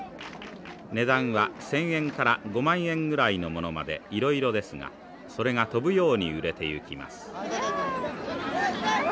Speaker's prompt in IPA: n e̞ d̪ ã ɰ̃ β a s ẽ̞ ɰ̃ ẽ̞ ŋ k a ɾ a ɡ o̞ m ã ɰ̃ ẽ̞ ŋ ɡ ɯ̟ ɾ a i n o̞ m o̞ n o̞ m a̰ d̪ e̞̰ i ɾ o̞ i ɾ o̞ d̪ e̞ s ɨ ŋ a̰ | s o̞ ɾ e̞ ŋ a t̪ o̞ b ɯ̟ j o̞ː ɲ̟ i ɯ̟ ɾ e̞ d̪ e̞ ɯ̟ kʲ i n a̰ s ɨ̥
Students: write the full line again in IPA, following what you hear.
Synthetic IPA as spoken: n e̞ d̪ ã ɰ̃ β a s ẽ̞ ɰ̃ ẽ̞ ŋ k a ɾ a ɡ o̞ m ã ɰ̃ ẽ̞ ŋ ɡ ɯ̟ ɾ a i n o̞ m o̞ n o̞ m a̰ d̪ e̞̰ i ɾ o̞ i ɾ o̞ d̪ e̞ s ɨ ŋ a̰ | s o̞ ɾ e̞ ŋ a t̪ o̞ b ɯ̟ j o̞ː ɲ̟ i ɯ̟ ɾ e̞ t̪ e̞ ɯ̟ kʲ i m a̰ s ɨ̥